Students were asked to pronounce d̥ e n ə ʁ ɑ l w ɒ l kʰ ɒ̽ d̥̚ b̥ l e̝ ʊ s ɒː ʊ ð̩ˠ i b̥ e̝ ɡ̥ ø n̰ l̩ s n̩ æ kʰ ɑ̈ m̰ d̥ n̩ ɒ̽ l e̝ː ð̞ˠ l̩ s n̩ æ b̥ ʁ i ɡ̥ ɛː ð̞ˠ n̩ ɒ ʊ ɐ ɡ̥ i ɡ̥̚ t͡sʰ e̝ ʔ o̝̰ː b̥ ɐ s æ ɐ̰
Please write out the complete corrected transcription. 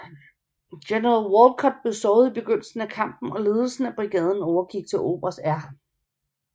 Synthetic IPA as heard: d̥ e n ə ʁ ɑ l w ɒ l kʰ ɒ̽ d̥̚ b̥ l e̝ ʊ s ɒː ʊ ð̩ˠ i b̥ e̝ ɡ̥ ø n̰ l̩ s n̩ æ kʰ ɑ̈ m̰ b̥ n̩ ɒ̽ l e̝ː ð̞ˠ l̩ s n̩ æ b̥ ʁ i ɡ̥ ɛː ð̞ˠ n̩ ɒ ʊ ɐ ɡ̥ i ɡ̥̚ t͡sʰ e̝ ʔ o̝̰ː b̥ ɐ s æ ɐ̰